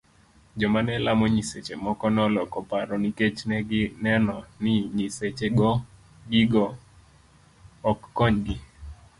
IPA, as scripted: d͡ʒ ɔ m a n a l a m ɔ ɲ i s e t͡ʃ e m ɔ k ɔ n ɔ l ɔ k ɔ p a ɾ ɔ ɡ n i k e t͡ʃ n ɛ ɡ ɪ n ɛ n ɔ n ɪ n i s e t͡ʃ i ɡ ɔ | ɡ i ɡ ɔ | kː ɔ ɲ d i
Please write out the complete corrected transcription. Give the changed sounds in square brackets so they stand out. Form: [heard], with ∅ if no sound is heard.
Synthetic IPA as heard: d͡ʒ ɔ m a n [ɛ] l a m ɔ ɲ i s e t͡ʃ e m ɔ k ɔ n ɔ l ɔ k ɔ p a ɾ ɔ [∅] n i k e t͡ʃ n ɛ ɡ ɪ n ɛ n ɔ n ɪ [ɲ] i s e t͡ʃ [e] ɡ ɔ | ɡ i ɡ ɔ | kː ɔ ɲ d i